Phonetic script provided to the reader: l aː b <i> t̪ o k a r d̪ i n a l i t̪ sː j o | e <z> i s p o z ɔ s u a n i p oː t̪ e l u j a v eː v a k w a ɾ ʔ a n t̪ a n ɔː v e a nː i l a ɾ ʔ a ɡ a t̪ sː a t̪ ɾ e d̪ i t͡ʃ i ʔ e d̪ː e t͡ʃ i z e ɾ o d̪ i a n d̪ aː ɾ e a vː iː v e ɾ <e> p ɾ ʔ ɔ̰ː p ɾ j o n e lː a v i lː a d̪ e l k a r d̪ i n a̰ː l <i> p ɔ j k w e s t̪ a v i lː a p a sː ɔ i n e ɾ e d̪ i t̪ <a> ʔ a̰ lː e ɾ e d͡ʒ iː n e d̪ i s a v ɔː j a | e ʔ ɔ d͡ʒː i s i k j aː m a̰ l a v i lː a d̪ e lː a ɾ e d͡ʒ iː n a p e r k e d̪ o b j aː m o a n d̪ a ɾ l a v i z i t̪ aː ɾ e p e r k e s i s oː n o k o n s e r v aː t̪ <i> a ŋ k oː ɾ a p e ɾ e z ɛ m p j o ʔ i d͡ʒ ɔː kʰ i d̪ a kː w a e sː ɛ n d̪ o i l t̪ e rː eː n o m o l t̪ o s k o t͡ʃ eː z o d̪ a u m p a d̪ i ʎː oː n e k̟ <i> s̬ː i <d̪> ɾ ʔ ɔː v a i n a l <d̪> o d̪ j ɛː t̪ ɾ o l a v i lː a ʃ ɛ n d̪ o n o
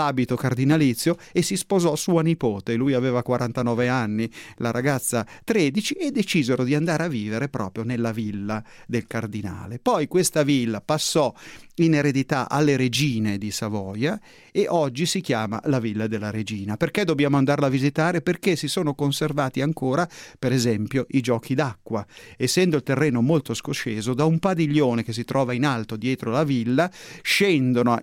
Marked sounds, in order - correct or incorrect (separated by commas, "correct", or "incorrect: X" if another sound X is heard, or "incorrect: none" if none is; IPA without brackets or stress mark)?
correct, incorrect: s, correct, incorrect: e, correct, correct, incorrect: e, incorrect: t̪, incorrect: t̪